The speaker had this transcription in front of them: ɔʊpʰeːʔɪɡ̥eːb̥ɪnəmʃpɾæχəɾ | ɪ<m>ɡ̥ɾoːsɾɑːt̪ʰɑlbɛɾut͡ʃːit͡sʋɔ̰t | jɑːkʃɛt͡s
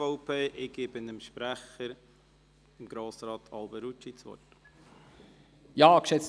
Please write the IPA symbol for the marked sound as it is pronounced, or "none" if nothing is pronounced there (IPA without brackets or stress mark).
m